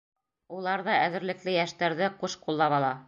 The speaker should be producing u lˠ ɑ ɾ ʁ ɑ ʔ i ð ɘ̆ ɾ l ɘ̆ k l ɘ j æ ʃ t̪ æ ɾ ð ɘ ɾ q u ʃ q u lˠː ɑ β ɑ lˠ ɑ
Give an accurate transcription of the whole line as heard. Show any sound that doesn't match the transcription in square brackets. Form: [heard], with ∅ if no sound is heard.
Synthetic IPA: u lˠ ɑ ɾ [ð] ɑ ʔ [æ] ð ɘ̆ ɾ l ɘ̆ k l ɘ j æ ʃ t̪ æ ɾ ð ɘ [∅] q u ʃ q u lˠː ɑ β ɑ lˠ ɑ